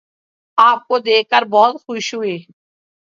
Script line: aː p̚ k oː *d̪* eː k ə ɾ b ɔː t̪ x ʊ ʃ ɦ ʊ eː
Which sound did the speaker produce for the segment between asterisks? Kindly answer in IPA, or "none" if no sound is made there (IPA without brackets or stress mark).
d̪